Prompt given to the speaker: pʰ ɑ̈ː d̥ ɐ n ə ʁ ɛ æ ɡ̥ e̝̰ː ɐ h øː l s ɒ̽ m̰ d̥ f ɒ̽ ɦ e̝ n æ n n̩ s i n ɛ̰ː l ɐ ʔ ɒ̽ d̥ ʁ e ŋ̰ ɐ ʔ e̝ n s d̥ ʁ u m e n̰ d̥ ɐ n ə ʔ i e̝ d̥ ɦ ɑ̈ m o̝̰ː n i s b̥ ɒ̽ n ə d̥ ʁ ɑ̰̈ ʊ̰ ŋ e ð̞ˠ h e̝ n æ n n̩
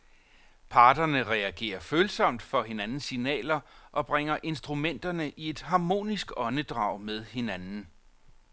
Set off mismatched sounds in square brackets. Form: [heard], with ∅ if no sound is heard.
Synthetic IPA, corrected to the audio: pʰ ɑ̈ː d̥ ɐ n ə ʁ ɛ æ ɡ̥ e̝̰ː ɐ [f] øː l s ɒ̽ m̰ d̥ f ɒ̽ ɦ e̝ n æ n n̩ s i n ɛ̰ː l ɐ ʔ ɒ̽ [b̥] ʁ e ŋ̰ ɐ ʔ e̝ n s d̥ ʁ u m e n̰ d̥ ɐ n ə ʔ i e̝ d̥ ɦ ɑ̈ m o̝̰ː n i s [ɡ̥] ɒ̽ n ə d̥ ʁ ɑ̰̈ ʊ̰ [m] e ð̞ˠ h e̝ n æ n n̩